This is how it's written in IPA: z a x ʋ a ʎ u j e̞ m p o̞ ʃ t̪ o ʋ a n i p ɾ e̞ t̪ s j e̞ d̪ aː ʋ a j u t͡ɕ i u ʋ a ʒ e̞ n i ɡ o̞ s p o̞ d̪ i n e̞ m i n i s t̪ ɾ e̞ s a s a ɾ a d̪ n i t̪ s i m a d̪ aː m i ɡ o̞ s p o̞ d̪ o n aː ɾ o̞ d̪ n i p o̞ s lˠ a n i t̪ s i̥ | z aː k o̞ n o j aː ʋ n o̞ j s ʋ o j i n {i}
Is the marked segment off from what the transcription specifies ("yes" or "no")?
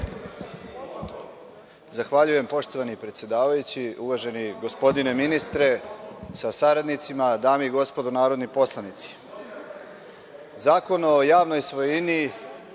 no